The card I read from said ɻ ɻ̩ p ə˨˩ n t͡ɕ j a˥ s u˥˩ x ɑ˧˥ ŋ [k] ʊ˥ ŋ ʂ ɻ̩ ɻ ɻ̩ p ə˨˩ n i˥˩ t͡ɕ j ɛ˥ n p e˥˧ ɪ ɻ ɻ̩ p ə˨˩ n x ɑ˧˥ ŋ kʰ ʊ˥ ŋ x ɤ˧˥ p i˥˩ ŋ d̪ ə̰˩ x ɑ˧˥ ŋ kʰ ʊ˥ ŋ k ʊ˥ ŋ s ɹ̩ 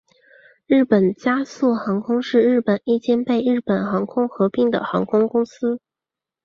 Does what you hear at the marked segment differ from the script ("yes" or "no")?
yes